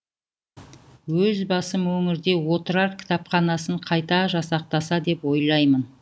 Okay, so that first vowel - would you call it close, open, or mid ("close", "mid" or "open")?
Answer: mid